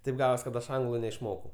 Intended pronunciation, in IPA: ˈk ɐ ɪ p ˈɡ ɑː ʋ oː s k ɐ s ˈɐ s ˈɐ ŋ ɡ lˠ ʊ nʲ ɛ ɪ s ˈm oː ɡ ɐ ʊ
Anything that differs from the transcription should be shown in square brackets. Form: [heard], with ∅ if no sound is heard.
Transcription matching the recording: [ˈt] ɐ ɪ p ˈɡ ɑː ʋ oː s k ɐ [t] ˈɐ [ʃ] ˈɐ ŋ ɡ lˠ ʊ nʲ ɛ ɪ [ʃ] ˈm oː [k] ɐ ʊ